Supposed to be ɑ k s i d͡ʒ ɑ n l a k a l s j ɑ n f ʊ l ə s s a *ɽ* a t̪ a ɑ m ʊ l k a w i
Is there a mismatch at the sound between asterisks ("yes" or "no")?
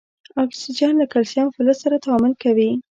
yes